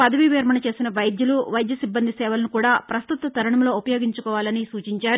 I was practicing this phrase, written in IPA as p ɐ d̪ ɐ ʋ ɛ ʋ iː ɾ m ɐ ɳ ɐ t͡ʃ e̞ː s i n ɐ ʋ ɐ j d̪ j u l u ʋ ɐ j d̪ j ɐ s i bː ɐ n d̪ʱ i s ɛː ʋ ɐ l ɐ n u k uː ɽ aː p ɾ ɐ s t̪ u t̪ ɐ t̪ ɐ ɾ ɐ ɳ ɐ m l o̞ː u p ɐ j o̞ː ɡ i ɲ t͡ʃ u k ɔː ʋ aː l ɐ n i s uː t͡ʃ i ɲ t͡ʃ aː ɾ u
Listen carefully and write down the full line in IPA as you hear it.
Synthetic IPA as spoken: p ɐ d̪ ɐ ʋ i ʋ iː ɾ m ɐ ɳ ɐ t͡ʃ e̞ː s i n ɐ ʋ ɐ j d̪ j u l u ʋ ɐ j d̪ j ɐ s i bː ɐ n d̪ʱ i s ɛː ʋ ɐ l ɐ n u k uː ɽ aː p ɾ ɐ s t̪ u t̪ ɐ t̪ ɐ ɾ ɐ ɳ ɐ m l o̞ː u p ɐ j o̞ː ɡ i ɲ t͡ʃ u k ɔː ʋ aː l ɐ n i s uː t͡ʃ i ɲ t͡ʃ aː ɾ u